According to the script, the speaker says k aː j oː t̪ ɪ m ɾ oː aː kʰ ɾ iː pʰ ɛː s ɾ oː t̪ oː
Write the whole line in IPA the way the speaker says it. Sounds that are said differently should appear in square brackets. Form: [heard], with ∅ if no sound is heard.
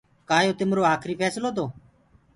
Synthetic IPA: k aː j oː t̪ ɪ m ɾ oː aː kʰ ɾ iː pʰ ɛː s [l] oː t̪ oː